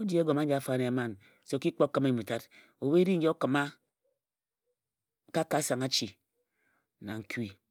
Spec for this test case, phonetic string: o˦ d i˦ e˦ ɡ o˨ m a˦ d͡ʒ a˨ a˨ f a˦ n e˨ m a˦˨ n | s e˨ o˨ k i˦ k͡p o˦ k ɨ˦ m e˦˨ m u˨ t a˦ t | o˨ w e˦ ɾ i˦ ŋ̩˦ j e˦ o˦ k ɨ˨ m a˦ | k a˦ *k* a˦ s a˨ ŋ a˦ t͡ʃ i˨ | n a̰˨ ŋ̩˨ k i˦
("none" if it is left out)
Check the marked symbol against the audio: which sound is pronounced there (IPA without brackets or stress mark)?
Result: k